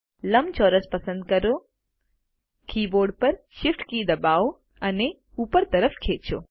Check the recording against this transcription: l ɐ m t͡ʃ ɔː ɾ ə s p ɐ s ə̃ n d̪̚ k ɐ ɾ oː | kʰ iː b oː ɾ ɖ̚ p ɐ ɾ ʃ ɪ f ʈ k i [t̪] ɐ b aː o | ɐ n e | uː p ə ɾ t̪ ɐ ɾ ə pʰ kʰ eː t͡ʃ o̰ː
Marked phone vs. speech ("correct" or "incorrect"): incorrect